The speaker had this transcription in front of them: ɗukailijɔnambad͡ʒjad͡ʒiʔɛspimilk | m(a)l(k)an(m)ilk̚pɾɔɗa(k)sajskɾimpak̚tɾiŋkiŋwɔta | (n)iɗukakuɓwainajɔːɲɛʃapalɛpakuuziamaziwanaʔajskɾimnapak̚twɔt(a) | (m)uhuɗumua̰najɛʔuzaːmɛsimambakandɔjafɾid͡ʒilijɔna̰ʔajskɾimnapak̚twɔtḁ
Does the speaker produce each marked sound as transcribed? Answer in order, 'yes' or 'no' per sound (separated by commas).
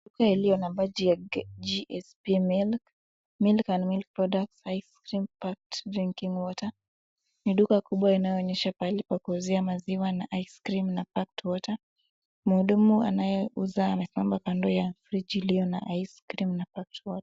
no, yes, yes, yes, yes, yes, yes